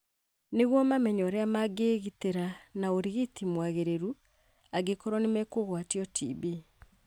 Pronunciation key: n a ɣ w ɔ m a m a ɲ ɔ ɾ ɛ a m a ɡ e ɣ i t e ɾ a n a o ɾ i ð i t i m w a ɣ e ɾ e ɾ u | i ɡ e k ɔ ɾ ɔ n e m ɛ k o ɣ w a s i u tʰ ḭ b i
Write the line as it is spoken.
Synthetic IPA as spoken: n e ɣ w ɔ m a m ɛ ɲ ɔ ɾ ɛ a m a ɡ e ɣ i t e ɾ a n a o ɾ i ɣ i t i m w a ɣ e ɾ e ɾ u | a ɡ e k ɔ ɾ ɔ n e m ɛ k o ɣ w a t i ɔ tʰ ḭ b i